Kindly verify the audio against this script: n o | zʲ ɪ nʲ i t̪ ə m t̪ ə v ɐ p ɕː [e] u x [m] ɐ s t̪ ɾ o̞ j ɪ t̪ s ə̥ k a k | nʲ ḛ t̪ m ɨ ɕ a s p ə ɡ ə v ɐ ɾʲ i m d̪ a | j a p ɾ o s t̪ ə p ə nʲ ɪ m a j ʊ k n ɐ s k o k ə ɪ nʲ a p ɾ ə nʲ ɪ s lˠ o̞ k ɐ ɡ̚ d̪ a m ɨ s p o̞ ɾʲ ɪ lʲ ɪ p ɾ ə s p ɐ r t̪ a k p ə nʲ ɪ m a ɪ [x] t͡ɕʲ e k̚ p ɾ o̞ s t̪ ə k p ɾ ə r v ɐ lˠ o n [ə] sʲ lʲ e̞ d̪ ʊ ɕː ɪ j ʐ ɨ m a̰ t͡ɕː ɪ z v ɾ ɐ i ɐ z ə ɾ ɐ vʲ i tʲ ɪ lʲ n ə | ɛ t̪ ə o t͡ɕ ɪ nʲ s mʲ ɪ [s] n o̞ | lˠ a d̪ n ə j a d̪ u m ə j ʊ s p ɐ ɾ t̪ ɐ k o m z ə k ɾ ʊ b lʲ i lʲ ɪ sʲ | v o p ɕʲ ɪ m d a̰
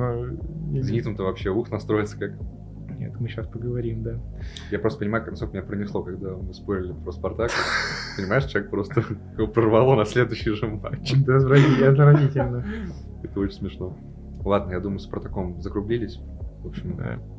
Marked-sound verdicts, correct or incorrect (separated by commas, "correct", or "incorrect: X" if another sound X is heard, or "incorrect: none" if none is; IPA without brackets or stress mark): correct, incorrect: n, incorrect: ʂ, incorrect: ɐ, incorrect: ʂ